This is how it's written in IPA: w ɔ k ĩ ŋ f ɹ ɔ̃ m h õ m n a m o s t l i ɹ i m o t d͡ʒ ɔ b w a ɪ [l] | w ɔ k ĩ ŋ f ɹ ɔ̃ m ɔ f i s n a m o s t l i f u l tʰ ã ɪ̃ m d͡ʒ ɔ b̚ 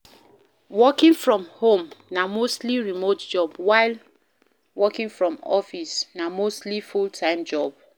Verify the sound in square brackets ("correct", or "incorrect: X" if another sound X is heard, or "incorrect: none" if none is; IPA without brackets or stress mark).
correct